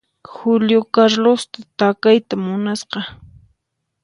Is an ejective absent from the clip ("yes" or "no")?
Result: yes